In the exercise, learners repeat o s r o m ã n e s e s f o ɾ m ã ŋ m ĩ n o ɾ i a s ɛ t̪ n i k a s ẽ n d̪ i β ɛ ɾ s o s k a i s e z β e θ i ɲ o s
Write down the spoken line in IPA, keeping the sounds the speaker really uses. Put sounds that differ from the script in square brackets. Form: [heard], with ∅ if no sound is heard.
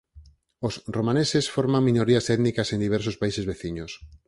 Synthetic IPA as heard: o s r o m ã n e s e s f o ɾ m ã ŋ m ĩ n o ɾ i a s ɛ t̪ n i k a s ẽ n d̪ i β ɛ ɾ s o s [p] a i s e z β e θ i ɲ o s